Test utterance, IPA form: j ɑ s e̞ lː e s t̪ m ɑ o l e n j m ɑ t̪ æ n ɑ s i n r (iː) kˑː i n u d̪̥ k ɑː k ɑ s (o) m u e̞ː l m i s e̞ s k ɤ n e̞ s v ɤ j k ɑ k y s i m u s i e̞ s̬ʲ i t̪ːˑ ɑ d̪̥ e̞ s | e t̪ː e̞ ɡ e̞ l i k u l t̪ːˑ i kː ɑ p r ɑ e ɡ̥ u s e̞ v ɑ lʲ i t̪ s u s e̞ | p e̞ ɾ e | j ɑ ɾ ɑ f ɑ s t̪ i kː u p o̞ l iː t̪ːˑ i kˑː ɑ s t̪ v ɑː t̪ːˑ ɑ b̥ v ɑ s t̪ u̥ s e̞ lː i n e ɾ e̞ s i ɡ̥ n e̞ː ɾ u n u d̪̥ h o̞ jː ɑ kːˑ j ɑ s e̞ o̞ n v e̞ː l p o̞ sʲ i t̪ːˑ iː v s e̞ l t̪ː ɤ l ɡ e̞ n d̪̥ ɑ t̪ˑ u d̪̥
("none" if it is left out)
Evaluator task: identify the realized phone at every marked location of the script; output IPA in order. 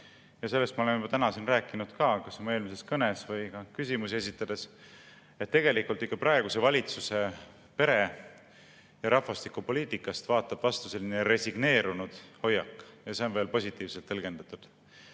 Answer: æː, o

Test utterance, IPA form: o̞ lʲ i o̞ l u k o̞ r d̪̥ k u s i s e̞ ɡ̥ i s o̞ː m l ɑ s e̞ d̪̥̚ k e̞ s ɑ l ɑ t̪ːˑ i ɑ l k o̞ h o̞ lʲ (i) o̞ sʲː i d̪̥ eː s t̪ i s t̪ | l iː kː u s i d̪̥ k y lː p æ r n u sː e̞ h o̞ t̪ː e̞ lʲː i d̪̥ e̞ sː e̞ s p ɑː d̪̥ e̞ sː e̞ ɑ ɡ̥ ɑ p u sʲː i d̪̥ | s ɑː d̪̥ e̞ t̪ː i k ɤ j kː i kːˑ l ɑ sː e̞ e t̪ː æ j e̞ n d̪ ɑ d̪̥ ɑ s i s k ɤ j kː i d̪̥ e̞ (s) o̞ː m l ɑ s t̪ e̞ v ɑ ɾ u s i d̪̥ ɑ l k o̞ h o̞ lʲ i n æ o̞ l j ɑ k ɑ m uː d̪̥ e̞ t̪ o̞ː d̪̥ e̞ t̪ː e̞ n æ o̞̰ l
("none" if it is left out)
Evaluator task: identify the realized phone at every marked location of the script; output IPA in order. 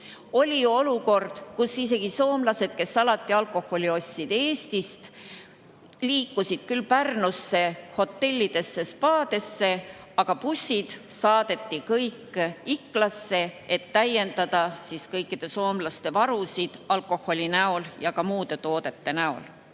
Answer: i, s

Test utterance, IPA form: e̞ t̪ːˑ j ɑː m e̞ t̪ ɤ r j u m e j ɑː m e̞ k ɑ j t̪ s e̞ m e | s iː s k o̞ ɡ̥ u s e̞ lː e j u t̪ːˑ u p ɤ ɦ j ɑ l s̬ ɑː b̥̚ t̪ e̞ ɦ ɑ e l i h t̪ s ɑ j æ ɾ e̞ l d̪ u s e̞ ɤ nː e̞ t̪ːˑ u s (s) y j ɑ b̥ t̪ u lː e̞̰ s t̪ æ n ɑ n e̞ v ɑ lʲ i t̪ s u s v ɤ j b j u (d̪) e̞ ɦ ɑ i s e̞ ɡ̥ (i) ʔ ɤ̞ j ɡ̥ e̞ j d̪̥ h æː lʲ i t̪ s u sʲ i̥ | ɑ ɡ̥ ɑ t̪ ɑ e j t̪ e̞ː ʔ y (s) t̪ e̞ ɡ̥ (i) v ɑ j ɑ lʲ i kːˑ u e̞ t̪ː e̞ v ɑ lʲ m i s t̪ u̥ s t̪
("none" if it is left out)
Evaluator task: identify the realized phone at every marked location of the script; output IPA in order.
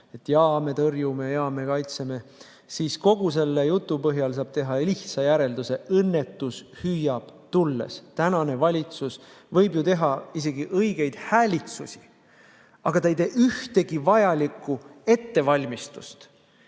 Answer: h, t̪, i, h, i

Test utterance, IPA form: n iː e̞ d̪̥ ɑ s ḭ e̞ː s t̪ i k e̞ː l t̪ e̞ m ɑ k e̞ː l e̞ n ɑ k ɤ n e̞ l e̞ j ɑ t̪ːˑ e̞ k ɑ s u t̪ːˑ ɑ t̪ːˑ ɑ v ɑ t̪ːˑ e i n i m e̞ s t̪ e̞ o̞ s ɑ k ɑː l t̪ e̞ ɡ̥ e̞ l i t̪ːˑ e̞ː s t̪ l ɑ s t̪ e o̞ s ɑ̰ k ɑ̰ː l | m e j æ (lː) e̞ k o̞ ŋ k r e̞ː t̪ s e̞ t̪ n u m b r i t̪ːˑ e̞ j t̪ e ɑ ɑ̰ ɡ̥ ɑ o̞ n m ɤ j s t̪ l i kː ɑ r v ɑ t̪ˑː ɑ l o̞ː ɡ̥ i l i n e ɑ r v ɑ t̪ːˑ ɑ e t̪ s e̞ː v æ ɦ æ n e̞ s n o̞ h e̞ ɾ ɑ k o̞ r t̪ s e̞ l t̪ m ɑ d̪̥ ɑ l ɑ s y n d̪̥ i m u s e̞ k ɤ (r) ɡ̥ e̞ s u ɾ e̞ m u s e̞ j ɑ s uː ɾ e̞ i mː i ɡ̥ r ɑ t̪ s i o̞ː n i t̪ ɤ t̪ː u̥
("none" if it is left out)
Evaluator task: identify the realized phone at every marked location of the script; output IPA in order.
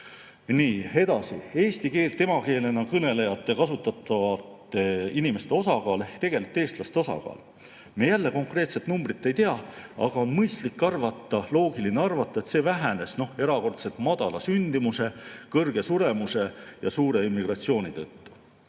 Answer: lː, r

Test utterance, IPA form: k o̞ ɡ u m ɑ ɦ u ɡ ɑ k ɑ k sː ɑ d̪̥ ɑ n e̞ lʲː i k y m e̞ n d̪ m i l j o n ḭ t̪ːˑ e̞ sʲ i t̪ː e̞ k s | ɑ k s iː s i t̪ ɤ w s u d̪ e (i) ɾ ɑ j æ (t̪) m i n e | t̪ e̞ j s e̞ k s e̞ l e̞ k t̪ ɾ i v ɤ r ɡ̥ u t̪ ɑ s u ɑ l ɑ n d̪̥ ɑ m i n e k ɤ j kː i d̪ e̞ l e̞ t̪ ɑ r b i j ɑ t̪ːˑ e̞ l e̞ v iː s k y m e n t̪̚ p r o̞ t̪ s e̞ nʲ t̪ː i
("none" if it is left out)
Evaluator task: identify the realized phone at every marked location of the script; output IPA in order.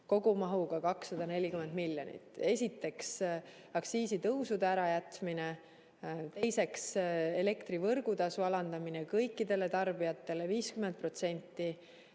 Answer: æ, t̪

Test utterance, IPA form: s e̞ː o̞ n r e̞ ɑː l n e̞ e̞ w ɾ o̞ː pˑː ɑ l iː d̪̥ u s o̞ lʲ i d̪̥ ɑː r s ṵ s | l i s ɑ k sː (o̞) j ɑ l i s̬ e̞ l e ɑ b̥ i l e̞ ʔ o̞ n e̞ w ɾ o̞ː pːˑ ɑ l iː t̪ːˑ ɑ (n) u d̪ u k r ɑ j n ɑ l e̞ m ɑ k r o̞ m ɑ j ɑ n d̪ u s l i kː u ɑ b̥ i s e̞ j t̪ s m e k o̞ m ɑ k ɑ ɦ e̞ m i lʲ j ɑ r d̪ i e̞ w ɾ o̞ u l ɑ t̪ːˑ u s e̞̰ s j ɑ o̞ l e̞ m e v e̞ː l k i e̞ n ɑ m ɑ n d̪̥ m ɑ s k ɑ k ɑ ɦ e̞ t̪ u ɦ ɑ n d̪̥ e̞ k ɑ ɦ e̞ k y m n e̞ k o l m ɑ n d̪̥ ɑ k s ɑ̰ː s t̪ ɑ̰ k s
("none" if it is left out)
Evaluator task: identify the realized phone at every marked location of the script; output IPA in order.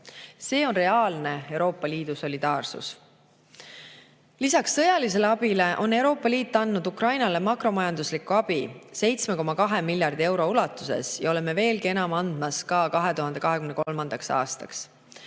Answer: ɤ̞, nː

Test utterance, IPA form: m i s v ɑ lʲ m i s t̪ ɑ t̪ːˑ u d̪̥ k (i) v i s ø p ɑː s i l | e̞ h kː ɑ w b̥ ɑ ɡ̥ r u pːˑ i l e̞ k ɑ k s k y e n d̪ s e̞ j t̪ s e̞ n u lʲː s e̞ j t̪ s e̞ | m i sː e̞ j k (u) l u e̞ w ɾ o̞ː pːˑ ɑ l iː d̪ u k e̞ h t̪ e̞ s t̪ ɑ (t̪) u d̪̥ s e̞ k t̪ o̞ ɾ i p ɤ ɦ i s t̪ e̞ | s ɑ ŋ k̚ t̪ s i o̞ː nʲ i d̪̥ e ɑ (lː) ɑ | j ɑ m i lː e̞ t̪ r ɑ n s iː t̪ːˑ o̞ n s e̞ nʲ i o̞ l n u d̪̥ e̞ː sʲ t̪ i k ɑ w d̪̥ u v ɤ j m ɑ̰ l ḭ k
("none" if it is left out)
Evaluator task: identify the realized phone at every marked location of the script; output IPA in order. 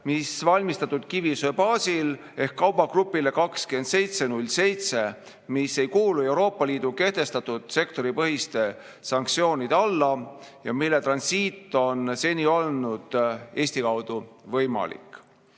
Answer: i, uː, t̪, lː

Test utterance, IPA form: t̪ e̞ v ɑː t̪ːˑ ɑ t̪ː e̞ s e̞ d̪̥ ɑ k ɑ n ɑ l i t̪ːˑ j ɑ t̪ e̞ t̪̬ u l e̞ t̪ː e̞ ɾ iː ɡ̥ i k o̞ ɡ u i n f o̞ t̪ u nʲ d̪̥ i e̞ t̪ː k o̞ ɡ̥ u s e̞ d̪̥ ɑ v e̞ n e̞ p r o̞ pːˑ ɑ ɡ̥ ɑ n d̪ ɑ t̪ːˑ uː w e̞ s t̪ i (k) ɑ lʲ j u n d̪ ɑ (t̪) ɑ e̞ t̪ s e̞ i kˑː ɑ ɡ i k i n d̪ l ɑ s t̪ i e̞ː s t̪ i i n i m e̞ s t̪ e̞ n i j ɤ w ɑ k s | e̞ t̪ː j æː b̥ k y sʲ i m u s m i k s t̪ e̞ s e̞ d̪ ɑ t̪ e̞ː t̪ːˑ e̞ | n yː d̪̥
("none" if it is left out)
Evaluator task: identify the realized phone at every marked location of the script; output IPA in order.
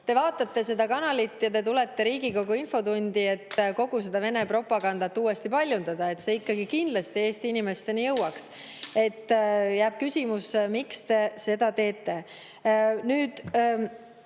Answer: p, d̪

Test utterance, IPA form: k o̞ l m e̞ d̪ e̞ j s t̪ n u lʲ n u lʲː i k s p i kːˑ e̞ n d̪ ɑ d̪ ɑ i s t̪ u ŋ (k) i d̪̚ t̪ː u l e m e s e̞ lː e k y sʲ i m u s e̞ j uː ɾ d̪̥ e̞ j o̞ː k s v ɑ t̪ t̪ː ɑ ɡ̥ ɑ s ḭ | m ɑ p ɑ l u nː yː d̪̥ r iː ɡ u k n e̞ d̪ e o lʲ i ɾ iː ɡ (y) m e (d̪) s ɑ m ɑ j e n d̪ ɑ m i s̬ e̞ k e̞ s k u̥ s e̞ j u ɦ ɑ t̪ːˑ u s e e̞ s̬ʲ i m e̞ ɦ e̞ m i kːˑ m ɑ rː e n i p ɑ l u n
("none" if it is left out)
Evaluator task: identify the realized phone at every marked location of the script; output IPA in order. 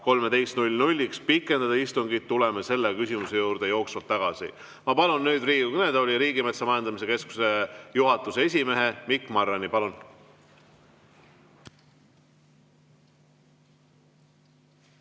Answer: ɡ, i, t̪

